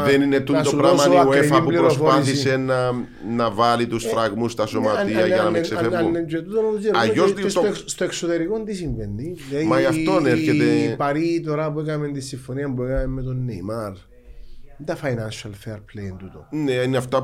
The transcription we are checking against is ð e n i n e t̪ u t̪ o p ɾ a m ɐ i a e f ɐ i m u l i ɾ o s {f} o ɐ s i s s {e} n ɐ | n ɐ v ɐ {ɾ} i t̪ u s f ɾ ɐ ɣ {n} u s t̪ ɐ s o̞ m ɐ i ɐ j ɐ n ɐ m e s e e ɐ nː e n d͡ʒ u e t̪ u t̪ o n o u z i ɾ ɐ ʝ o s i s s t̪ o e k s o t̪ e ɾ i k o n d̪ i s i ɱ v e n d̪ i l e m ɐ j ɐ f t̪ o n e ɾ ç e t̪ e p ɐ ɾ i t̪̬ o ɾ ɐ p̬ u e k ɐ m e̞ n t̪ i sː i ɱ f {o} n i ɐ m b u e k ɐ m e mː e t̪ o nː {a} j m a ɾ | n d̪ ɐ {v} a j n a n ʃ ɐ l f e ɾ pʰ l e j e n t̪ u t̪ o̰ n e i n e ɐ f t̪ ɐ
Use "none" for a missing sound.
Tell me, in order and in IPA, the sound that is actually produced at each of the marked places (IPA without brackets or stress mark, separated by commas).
f, e, l, m, o, e, f